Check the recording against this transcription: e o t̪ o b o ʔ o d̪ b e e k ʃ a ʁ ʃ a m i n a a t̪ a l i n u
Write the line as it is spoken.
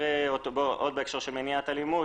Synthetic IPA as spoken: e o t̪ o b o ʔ o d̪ b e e k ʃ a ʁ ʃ e m e n i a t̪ a l i m u